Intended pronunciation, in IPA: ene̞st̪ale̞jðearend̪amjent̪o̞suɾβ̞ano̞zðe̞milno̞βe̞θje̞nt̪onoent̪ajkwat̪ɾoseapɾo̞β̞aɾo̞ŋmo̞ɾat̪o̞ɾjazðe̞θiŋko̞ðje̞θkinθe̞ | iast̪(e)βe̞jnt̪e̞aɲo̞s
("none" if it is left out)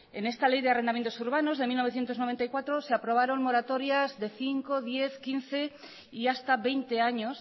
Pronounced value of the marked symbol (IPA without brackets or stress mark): a